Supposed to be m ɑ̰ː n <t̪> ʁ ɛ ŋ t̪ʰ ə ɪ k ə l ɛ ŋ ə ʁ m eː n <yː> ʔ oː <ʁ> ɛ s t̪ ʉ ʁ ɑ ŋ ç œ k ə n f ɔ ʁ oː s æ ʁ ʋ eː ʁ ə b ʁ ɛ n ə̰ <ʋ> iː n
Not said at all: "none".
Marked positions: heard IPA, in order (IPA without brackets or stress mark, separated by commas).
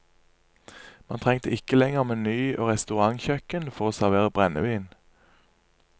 t̪ʰ, yː, ʁ, ʋ